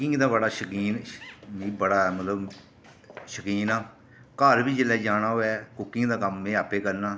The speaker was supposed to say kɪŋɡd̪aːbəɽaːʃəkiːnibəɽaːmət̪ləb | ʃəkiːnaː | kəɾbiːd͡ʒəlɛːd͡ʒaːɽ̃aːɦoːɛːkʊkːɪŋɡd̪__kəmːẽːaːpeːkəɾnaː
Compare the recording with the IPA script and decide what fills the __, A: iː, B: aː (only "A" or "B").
B